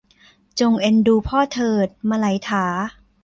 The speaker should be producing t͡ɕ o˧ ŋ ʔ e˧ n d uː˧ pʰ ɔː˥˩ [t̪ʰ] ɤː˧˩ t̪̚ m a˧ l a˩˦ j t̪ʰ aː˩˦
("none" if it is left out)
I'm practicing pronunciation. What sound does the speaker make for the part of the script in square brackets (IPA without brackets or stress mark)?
t̪ʰ